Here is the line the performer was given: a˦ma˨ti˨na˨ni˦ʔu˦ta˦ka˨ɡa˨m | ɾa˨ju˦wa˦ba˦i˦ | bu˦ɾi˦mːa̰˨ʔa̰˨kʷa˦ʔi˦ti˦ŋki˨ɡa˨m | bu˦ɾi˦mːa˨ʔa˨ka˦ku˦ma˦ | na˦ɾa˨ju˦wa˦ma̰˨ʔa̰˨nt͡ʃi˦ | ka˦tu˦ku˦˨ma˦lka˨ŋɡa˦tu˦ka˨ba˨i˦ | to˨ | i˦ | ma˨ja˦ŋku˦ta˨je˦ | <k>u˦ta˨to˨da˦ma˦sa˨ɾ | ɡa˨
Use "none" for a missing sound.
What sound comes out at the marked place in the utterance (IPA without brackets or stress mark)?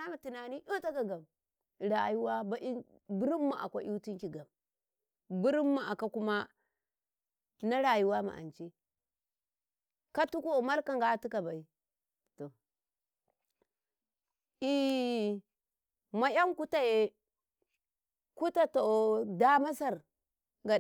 k